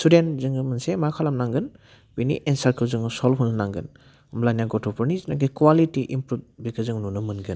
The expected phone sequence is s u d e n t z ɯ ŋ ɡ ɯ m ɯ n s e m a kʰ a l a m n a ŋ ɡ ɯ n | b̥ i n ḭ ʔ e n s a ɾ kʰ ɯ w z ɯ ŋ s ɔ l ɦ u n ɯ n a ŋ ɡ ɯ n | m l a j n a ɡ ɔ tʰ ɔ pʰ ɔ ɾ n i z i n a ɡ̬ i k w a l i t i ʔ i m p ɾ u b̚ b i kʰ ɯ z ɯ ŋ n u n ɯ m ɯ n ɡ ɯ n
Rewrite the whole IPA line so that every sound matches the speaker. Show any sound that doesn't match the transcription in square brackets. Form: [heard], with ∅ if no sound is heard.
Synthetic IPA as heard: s u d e n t z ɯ ŋ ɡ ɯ m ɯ n s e m a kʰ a l a m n a ŋ ɡ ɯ n | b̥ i n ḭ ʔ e n s a ɾ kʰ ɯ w z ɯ ŋ s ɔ l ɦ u n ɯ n a ŋ ɡ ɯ n | m l a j n a ɡ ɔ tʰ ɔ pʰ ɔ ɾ n i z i n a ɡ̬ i k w a l i t i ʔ i m p ɾ u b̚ b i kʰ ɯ z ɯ ŋ n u n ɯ m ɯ n ɡ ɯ n